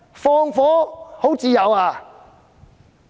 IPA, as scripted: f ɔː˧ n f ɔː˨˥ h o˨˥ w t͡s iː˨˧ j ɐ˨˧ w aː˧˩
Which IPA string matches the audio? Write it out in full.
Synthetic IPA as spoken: f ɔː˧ ŋ f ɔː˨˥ h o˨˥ w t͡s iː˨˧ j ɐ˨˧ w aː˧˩